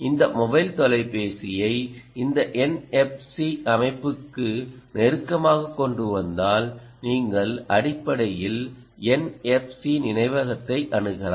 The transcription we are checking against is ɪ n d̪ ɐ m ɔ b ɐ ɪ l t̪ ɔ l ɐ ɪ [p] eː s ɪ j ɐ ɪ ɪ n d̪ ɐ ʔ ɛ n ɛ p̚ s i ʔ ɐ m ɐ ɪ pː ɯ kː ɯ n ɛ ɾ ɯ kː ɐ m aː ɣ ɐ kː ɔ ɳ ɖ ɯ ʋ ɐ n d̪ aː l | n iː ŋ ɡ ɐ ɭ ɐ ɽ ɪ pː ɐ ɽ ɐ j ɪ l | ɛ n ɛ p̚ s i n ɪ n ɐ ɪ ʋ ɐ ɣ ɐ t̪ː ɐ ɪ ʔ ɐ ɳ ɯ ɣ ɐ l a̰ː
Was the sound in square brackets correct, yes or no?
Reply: yes